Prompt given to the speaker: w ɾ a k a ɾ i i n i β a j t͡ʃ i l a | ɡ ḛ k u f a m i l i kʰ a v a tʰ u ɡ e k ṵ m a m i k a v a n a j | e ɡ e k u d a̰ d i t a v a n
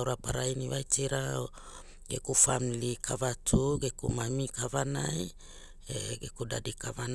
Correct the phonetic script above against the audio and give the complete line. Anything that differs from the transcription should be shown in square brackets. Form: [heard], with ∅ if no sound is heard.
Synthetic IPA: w ɾ a [p] a ɾ [a] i n i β a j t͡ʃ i [ɾ] a | ɡ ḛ k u f a m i l i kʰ a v a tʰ u ɡ e k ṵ m a m i k a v a n a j | e ɡ e k u d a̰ d i [k] a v a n